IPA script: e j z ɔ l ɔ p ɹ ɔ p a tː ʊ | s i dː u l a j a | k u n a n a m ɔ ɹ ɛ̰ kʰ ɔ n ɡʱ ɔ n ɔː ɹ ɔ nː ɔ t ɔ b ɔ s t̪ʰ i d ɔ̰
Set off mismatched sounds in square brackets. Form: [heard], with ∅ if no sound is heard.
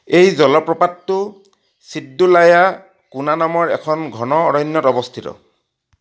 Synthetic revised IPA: e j z ɔ l ɔ p ɹ ɔ p a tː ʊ | s i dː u l a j a | k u n a n a m ɔ ɹ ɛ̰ kʰ ɔ n ɡʱ ɔ n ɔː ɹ ɔ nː ɔ t ɔ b ɔ s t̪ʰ i [t] ɔ̰